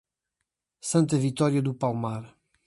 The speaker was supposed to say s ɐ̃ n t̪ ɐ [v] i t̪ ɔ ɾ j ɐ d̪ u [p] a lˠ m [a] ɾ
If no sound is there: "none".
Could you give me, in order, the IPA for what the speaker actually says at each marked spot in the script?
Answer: v, p, a

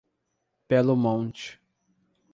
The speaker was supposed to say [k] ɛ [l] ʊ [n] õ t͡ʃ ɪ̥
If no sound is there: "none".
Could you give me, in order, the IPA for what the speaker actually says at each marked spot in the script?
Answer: p, l, m

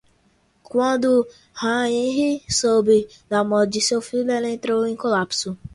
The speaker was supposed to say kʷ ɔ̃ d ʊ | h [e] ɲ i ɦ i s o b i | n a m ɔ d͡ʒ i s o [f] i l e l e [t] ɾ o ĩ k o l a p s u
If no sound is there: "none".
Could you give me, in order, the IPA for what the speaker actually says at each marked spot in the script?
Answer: a, f, t

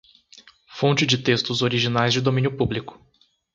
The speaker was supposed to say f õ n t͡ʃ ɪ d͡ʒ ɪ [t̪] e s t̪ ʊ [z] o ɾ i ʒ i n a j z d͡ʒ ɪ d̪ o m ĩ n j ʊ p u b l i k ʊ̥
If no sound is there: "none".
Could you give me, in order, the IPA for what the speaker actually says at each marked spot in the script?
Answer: t̪, z

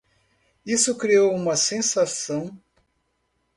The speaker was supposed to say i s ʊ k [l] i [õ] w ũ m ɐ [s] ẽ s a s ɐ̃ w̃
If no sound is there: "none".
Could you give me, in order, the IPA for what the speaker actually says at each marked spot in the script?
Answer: ɾ, o, s

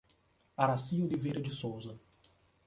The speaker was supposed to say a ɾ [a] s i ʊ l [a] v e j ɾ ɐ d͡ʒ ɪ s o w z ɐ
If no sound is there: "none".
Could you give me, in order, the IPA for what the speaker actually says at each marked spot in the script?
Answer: a, i

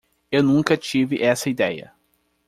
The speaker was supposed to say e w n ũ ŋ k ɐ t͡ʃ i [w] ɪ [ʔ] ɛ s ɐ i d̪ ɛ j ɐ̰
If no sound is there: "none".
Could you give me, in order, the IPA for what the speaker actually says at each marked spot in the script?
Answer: v, ʔ

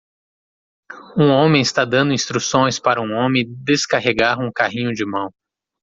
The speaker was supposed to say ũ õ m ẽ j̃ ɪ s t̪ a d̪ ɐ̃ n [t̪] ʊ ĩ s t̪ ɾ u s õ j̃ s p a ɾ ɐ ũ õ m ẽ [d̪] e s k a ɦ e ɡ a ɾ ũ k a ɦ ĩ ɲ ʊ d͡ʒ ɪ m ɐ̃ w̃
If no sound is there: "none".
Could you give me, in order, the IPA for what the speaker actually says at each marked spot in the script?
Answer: d̪, d̪

